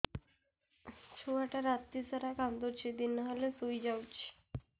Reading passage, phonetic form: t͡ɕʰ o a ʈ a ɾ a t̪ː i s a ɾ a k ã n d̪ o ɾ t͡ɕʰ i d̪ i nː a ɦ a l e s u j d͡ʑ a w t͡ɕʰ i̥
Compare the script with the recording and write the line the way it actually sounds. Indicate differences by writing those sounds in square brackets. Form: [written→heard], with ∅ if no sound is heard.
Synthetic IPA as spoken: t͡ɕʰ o a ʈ a ɾ a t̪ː i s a ɾ a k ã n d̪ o ɾ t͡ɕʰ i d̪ i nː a ɦ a l e s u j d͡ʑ a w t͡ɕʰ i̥